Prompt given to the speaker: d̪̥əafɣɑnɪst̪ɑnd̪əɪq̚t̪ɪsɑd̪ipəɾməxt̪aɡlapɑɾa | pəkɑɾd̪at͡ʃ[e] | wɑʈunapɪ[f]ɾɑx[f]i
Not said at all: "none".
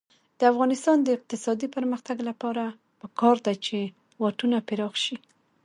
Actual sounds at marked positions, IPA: e, none, ʃ

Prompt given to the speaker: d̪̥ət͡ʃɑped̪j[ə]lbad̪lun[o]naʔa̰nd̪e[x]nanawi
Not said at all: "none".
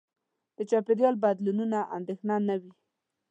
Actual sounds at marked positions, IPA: ɑ, u, x

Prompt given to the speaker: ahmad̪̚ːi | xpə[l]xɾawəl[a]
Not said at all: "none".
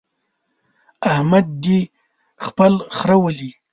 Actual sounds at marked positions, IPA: l, i

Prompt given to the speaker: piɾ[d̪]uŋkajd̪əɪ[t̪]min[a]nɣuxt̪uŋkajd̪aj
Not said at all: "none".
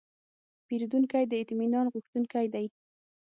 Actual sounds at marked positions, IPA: d̪, t̪, ɑ

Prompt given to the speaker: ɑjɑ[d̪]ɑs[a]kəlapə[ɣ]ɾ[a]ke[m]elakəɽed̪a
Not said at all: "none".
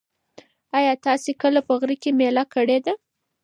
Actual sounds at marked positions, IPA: t̪, e, ɣ, i, m

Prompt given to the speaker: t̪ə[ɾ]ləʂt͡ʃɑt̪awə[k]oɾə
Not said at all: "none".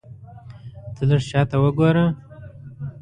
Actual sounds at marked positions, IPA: none, ɡ

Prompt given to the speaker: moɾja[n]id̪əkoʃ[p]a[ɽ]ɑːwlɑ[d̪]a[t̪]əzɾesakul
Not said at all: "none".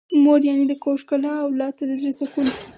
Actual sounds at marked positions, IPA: n, k, l, t̪, d̪

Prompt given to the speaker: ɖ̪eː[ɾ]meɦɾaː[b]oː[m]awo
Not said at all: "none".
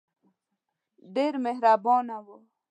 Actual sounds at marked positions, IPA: ɾ, b, n

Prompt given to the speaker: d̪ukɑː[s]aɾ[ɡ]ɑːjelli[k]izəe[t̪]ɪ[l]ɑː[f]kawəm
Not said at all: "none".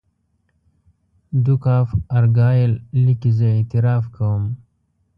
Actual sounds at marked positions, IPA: f, ɡ, k, t̪, ɾ, f

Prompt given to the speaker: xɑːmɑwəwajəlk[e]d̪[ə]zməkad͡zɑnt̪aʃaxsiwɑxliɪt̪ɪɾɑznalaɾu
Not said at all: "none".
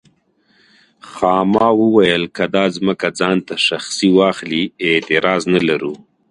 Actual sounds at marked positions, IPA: a, ɑ

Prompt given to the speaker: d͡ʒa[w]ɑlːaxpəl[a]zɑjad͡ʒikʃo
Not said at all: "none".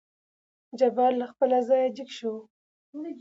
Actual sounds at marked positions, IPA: b, a

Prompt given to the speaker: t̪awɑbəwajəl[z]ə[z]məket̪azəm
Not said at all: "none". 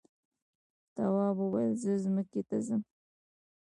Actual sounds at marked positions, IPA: z, z

